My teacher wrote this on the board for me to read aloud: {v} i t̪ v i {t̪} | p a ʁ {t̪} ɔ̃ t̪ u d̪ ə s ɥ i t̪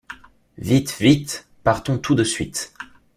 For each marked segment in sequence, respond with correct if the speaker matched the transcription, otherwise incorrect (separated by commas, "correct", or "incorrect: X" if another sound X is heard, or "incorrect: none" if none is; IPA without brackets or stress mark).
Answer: correct, correct, correct